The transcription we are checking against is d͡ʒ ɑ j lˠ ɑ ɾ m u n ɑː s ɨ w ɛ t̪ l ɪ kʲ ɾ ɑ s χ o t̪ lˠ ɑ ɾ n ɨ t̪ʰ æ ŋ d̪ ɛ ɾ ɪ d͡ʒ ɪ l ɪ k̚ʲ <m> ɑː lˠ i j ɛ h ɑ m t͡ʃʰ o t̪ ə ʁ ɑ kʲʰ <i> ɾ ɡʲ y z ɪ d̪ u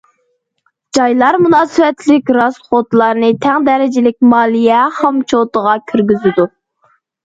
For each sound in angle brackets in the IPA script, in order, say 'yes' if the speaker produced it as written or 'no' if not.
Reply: yes, no

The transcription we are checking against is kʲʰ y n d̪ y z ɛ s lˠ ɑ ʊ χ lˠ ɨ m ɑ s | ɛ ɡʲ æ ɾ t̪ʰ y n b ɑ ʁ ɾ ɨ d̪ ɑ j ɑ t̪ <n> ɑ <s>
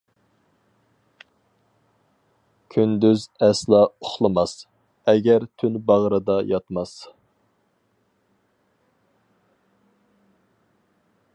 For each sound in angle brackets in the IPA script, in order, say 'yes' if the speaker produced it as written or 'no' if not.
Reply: no, yes

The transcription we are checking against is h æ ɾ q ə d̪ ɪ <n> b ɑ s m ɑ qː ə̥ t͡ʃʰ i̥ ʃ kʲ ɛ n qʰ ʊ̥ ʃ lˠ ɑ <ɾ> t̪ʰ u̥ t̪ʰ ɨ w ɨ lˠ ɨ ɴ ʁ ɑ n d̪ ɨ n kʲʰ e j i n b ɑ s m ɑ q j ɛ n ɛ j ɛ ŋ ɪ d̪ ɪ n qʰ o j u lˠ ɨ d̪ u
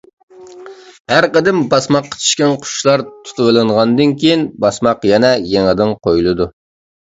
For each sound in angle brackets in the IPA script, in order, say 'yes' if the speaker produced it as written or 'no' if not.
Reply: no, yes

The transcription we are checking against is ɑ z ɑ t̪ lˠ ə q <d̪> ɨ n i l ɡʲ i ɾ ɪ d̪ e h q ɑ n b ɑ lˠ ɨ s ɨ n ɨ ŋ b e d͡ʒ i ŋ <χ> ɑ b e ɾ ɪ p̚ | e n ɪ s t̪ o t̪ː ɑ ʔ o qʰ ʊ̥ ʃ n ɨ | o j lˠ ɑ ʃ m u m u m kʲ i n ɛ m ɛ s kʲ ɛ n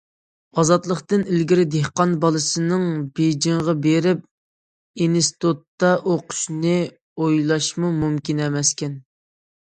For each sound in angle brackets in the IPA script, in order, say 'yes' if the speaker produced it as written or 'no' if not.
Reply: no, no

